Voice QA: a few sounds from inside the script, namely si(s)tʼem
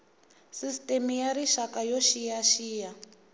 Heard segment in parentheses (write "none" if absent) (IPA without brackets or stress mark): s